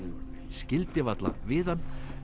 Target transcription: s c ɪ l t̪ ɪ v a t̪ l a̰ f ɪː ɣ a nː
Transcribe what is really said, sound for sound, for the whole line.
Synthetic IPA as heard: s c ɪ l t̪ ɪ v a t̪ l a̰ v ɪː ð a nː